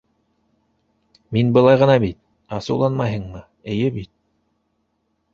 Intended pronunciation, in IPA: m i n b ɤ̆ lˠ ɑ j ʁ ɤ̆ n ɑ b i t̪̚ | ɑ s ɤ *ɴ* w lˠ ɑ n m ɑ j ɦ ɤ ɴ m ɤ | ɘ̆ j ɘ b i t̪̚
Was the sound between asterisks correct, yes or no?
no